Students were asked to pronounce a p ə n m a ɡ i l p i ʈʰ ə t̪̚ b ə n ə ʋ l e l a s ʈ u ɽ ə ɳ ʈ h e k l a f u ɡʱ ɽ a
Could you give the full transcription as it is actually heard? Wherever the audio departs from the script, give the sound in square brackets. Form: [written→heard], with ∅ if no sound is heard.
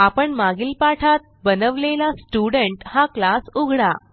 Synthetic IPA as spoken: a p ə [n→ɳ] m a ɡ i l p [i→a] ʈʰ [ə→a] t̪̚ b ə n ə ʋ l e l a s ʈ u ɽ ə ɳ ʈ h [e→a] k l a [f→s] u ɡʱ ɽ a